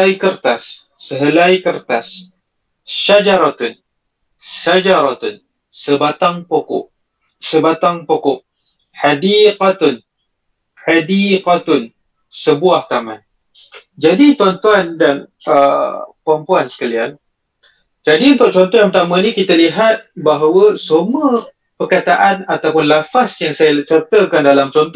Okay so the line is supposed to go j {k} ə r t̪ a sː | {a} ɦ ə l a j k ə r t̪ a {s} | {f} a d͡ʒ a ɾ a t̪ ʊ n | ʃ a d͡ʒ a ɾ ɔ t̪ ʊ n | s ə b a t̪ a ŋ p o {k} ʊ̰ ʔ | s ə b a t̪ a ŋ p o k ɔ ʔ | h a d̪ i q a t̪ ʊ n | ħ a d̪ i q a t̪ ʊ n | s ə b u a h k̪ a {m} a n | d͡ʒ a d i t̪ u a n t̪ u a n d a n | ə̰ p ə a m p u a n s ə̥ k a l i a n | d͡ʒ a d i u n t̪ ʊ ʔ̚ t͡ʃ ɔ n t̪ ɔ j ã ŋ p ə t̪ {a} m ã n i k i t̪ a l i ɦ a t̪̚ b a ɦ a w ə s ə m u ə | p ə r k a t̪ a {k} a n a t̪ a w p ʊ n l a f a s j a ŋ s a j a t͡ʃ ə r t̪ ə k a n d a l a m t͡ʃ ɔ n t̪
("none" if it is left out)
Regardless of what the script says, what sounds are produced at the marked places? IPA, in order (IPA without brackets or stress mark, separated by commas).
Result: k, ə, s, ʃ, k, m, a, ʔ